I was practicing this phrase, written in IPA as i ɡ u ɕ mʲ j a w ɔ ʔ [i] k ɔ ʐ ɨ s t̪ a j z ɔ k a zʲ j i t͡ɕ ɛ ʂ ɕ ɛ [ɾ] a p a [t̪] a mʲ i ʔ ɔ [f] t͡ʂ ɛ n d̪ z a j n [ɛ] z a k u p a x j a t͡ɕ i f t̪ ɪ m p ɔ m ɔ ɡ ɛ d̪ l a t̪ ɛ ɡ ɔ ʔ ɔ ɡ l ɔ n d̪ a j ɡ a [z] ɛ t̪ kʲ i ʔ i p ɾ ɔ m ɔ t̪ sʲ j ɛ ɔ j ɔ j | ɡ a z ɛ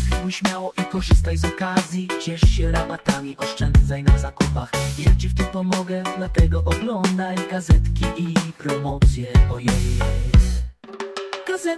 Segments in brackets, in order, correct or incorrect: correct, correct, correct, incorrect: ʂ, incorrect: a, correct

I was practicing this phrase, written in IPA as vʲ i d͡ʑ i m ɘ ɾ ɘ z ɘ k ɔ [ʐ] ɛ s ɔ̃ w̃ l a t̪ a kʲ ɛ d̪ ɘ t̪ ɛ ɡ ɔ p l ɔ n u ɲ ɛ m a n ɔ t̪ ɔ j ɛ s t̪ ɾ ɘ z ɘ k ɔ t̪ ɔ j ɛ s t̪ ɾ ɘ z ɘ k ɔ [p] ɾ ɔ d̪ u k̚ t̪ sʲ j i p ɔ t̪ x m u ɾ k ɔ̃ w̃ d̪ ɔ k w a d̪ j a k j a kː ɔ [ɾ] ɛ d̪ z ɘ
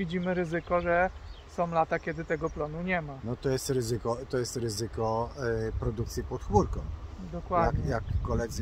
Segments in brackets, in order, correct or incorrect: correct, correct, incorrect: l

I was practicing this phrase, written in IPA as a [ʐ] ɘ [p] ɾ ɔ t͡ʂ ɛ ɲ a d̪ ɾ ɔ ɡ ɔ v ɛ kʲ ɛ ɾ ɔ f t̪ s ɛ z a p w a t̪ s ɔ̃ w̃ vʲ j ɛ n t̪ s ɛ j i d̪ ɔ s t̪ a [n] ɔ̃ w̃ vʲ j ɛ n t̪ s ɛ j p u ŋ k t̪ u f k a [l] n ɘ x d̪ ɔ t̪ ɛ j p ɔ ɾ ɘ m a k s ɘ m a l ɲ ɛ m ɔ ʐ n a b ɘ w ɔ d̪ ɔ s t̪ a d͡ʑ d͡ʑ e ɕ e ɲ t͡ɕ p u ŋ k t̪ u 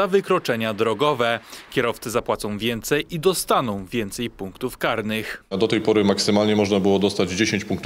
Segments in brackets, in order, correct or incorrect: incorrect: v, incorrect: k, correct, incorrect: ɾ

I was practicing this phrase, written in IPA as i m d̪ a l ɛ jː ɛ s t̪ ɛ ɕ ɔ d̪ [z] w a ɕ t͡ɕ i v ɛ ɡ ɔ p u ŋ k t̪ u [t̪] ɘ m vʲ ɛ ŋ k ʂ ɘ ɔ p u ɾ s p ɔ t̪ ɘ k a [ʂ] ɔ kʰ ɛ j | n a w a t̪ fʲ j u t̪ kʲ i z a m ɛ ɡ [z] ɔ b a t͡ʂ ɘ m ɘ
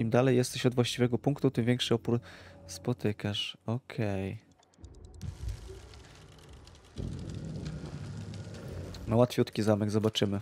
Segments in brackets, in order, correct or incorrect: incorrect: v, correct, correct, correct

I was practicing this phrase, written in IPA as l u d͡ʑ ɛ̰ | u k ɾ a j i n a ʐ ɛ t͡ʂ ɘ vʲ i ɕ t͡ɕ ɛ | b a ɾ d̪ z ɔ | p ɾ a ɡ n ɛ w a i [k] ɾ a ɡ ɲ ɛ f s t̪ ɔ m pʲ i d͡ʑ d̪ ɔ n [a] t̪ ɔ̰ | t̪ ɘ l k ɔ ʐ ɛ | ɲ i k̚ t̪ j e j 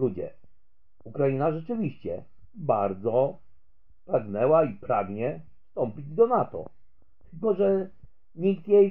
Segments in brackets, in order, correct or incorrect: incorrect: p, correct

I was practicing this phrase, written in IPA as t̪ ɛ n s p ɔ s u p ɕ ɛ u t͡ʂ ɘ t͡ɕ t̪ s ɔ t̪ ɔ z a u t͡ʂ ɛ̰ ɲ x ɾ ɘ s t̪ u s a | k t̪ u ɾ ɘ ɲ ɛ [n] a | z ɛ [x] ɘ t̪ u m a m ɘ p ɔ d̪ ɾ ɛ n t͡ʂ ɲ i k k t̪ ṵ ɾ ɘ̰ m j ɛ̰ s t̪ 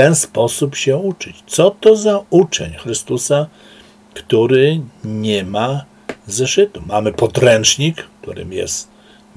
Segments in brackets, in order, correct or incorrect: incorrect: m, incorrect: ʂ

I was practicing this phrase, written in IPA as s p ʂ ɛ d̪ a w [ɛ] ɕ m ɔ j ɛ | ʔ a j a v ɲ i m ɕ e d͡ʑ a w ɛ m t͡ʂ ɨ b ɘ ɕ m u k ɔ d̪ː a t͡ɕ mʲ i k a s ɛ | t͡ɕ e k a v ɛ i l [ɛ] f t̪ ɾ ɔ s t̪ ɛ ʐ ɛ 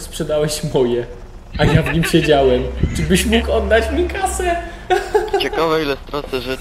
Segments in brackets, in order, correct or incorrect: correct, correct

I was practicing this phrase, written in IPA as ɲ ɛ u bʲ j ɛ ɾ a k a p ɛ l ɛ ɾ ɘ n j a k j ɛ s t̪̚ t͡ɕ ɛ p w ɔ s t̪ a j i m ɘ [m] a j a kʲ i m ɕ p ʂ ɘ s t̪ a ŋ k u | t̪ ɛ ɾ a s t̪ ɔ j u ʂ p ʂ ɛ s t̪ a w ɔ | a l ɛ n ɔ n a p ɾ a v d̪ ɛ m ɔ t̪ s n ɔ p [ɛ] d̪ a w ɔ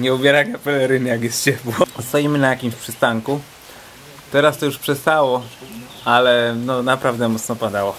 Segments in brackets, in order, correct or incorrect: incorrect: n, incorrect: a

